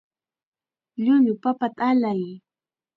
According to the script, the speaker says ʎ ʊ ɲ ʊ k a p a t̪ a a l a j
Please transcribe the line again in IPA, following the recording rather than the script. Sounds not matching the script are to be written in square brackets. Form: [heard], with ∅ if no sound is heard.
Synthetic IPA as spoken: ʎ ʊ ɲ ʊ [p] a p a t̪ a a l a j